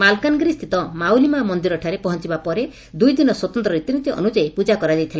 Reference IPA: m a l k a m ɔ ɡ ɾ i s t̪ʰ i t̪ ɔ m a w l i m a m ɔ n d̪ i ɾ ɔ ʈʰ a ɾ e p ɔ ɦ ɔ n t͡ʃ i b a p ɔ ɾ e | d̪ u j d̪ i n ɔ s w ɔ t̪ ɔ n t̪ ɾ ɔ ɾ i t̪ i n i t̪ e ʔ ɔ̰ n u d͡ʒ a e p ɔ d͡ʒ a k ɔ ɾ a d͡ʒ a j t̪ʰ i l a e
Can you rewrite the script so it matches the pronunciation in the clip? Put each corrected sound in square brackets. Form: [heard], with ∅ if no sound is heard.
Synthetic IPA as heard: m a l k a [n] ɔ ɡ ɾ i s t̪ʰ i t̪ ɔ m a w l i m a m ɔ n d̪ i ɾ ɔ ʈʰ a ɾ e p ɔ ɦ ɔ n t͡ʃ i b a p ɔ ɾ e | d̪ u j d̪ i n ɔ s w ɔ t̪ ɔ n t̪ ɾ ɔ ɾ i t̪ i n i t̪ [i] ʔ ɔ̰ n u d͡ʒ a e p [u] d͡ʒ a k ɔ ɾ a d͡ʒ a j t̪ʰ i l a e